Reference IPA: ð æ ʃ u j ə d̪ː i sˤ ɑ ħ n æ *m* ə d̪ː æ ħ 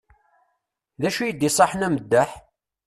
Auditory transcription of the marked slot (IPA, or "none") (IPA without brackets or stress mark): m